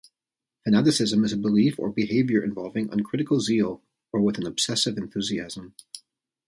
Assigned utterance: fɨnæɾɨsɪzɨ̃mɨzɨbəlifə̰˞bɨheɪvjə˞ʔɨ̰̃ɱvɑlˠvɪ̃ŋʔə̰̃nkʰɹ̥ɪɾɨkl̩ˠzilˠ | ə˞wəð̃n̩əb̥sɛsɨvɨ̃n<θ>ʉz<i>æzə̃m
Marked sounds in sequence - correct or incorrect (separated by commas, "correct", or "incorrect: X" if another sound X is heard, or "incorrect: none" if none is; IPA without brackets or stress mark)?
correct, correct